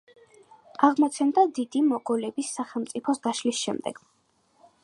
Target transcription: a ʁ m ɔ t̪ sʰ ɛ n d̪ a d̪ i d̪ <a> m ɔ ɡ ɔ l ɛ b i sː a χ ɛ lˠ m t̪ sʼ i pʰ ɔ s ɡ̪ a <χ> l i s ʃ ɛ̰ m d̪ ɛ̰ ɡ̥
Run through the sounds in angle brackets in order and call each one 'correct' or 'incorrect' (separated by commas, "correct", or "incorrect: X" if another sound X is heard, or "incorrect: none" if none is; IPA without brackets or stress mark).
incorrect: i, incorrect: ʃ